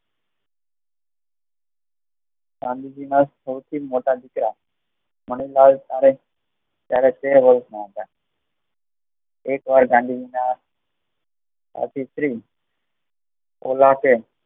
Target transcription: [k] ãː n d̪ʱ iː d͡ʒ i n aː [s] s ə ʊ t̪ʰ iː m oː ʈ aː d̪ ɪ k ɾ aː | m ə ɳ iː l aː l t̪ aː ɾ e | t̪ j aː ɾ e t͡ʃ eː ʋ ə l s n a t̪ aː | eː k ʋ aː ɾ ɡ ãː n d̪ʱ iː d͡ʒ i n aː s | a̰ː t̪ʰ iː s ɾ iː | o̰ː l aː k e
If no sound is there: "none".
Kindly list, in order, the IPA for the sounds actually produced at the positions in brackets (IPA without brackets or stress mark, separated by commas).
ɡ, s